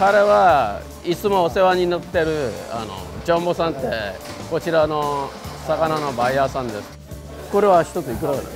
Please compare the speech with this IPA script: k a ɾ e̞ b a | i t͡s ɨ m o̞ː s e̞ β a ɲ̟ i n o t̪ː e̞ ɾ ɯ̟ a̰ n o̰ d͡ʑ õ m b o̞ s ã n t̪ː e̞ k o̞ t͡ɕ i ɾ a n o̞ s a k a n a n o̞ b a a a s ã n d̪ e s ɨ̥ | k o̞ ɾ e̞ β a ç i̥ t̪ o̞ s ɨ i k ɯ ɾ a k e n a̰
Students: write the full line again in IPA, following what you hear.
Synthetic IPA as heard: k a ɾ e̞ β a | i t͡s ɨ m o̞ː s e̞ β a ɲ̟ i n o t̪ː e̞ ɾ ɯ̟ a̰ n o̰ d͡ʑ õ m b o̞ s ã n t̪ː e̞ k o̞ t͡ɕ i ɾ a n o̞ s a k a n a n o̞ b a i a s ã n d̪ e s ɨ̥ | k o̞ ɾ e̞ β a ç i̥ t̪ o̞ t͡s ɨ i k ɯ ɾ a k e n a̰